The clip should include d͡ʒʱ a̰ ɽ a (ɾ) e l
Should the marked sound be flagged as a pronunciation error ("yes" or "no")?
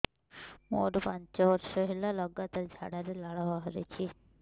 no